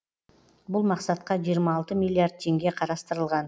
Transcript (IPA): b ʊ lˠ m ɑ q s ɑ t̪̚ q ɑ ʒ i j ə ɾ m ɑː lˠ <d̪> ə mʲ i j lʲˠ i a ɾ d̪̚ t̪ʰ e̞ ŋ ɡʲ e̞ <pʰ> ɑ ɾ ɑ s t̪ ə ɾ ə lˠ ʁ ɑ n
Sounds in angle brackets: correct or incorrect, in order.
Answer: incorrect, incorrect

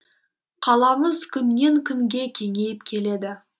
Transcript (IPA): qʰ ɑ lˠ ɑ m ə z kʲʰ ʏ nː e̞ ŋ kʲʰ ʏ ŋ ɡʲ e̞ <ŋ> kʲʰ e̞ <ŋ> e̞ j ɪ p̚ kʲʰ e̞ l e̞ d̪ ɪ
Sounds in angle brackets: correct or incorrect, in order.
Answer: incorrect, correct

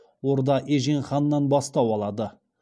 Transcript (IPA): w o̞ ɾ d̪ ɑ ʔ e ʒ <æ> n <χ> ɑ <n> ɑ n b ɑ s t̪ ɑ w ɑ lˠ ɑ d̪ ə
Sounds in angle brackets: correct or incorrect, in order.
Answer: incorrect, correct, incorrect

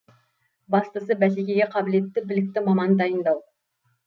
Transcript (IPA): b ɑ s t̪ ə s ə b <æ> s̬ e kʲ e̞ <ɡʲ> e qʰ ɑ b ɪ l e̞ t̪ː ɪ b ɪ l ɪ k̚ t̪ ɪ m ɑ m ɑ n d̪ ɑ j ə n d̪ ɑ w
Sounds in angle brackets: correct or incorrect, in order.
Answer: correct, correct

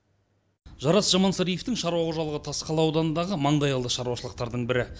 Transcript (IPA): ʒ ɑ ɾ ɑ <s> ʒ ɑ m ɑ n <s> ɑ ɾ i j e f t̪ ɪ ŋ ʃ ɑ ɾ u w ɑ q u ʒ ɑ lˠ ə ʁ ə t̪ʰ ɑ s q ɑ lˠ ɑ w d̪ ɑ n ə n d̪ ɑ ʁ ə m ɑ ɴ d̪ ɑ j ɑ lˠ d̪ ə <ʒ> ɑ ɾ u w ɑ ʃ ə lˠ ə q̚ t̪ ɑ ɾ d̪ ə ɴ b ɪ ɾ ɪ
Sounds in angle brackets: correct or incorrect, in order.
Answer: correct, correct, incorrect

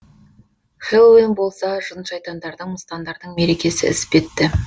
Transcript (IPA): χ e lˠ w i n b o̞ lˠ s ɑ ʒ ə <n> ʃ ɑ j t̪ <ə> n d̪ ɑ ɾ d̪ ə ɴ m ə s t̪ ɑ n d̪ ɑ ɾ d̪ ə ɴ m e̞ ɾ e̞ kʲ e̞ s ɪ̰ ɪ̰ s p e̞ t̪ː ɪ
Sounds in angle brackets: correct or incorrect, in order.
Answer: correct, incorrect

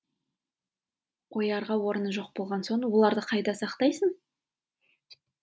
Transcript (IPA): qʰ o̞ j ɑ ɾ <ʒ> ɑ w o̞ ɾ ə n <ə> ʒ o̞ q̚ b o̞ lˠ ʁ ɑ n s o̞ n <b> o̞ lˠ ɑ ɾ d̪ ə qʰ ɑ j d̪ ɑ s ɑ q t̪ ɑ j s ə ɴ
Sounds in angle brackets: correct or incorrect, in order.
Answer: incorrect, correct, incorrect

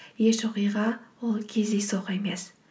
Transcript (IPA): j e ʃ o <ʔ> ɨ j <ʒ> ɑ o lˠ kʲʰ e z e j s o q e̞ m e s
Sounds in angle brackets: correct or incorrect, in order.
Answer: incorrect, incorrect

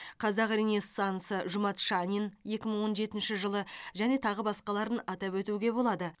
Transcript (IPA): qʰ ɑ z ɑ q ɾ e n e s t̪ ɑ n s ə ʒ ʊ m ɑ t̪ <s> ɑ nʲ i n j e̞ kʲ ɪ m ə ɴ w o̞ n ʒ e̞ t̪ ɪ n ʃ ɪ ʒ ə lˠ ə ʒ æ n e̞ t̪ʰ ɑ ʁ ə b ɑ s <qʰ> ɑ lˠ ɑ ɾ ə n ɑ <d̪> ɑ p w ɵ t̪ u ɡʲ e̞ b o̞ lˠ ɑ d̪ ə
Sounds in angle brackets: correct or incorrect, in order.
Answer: incorrect, incorrect, incorrect

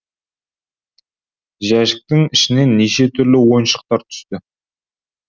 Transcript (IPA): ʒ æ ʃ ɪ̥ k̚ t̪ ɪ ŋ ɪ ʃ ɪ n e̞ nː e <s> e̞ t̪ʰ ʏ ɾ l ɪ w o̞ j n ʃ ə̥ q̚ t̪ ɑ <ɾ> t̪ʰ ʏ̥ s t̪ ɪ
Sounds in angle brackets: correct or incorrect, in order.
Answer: incorrect, correct

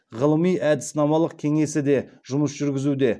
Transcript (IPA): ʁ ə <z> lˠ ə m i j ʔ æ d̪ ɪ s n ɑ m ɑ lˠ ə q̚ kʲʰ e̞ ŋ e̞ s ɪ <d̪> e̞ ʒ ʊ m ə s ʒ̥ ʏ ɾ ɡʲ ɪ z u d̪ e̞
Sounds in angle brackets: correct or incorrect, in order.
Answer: incorrect, correct

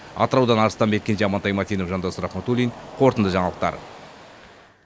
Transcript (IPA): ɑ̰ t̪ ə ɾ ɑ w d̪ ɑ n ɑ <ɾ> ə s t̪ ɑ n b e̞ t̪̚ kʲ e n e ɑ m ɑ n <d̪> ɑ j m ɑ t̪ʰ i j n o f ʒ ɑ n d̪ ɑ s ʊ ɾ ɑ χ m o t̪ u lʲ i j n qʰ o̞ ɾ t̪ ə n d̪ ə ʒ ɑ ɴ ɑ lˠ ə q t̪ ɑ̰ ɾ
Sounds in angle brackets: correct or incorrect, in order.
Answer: correct, incorrect

